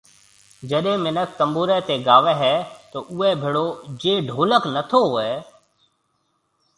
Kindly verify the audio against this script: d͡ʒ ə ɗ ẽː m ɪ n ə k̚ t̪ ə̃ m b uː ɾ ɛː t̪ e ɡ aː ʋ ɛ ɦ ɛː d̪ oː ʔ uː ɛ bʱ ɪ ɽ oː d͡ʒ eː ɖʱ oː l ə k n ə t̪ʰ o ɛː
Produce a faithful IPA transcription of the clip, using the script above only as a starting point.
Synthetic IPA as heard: d͡ʒ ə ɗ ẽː m ɪ n ə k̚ t̪ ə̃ m b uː ɾ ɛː t̪ e ɡ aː ʋ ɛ ɦ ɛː t̪ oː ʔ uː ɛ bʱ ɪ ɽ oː d͡ʒ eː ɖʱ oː l ə k n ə t̪ʰ o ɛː